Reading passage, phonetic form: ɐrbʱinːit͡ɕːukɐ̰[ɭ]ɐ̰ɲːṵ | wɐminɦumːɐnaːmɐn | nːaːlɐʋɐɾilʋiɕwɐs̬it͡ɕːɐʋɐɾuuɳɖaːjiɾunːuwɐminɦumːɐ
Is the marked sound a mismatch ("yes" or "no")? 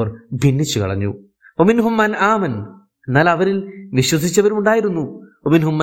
no